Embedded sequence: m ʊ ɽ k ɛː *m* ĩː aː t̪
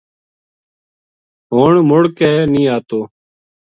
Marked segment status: incorrect: n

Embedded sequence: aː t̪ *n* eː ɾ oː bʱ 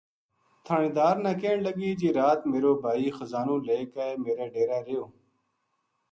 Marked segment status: incorrect: m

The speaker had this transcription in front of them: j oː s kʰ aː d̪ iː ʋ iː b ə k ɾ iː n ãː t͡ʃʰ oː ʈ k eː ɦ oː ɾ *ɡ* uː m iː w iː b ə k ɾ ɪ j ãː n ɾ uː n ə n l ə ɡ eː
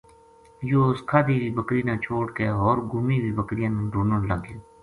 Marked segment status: correct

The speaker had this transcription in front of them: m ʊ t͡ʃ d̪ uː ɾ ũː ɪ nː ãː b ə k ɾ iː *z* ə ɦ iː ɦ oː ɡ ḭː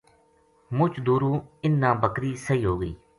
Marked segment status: incorrect: s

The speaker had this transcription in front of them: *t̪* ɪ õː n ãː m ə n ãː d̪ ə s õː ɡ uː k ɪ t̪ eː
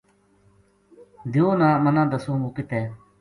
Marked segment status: incorrect: d̪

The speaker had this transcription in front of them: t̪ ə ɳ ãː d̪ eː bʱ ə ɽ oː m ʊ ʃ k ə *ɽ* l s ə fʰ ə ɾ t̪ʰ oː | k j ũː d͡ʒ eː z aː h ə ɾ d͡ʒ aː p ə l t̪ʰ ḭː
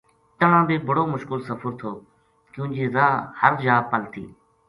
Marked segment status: incorrect: none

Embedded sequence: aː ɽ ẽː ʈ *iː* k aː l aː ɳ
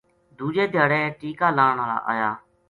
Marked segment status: correct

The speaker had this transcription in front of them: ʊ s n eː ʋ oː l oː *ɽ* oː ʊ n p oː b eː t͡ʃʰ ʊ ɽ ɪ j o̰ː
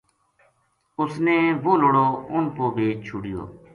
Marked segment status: correct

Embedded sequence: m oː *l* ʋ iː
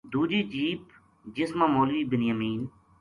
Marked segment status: correct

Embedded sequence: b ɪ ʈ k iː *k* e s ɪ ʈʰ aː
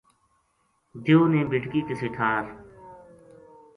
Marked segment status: correct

